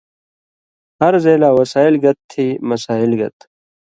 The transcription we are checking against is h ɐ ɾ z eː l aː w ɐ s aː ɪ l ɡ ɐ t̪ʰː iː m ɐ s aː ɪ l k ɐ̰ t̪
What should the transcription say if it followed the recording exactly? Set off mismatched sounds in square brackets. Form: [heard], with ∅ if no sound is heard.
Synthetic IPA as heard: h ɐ ɾ z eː l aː w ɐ s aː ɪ l ɡ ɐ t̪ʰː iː m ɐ s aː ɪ l [ɡ] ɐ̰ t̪